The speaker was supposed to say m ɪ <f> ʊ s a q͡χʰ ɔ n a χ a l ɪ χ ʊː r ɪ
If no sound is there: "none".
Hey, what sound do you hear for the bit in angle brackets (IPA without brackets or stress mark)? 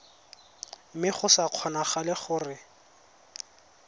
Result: χ